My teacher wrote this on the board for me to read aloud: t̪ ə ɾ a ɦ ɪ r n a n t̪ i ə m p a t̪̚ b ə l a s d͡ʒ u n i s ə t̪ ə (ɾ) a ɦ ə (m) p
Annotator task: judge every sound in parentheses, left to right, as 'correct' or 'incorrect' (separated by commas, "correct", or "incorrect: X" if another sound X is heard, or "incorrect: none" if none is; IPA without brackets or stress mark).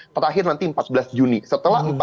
incorrect: l, correct